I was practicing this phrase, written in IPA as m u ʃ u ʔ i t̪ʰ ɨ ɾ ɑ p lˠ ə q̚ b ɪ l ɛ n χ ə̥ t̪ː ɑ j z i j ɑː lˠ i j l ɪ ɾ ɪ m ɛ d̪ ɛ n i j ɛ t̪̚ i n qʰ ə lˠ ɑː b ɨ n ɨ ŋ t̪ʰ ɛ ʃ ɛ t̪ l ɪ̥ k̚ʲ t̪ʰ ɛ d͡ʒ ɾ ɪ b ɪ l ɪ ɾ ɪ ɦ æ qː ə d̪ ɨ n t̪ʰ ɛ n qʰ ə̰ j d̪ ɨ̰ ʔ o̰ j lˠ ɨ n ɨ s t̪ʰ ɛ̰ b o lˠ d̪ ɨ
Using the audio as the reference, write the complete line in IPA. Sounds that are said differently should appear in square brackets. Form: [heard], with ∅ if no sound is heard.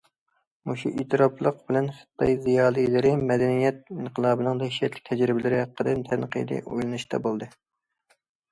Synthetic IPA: m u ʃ u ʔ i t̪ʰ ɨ ɾ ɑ p lˠ ə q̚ b ɪ l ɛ n χ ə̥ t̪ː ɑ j z i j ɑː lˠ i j l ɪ ɾ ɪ m ɛ d̪ ɛ n i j ɛ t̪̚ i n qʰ ə lˠ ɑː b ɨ n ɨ ŋ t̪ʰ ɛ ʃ ɛ t̪ l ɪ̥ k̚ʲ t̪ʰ ɛ d͡ʒ ɾ ɪ b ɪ l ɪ ɾ ɪ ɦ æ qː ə d̪ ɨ n t̪ʰ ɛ n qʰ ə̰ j d̪ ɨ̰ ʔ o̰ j lˠ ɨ n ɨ [ʃ] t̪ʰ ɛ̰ b o lˠ d̪ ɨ